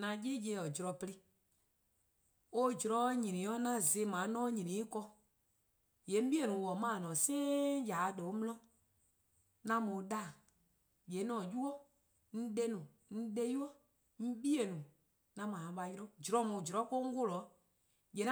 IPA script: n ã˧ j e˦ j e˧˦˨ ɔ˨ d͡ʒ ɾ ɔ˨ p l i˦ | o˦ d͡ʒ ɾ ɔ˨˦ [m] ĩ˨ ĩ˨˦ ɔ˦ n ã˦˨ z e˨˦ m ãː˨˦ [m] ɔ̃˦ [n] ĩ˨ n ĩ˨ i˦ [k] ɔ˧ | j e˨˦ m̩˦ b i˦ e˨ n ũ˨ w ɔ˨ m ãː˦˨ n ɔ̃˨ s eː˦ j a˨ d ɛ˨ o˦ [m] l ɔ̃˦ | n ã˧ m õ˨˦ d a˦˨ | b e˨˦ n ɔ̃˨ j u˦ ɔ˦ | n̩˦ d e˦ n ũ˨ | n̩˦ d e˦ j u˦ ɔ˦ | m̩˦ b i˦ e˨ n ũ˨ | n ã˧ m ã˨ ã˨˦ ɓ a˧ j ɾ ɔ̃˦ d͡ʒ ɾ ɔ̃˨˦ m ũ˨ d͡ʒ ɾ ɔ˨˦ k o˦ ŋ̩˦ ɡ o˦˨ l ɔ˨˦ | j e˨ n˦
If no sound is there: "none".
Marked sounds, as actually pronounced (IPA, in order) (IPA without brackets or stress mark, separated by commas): ɲ, n, ɲ, k, m